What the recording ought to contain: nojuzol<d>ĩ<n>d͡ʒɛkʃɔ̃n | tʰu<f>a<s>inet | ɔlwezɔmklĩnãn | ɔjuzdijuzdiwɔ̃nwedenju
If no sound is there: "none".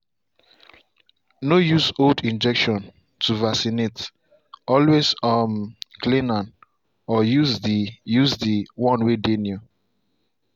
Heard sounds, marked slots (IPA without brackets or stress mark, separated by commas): d, n, v, s